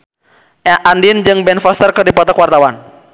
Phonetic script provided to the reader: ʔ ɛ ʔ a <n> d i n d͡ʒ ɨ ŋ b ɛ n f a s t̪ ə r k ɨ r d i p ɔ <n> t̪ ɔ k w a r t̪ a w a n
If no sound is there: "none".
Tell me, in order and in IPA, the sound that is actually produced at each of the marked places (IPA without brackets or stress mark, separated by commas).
n, none